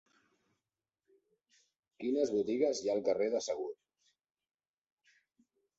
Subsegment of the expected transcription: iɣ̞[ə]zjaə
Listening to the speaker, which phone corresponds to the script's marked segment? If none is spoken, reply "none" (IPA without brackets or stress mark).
ə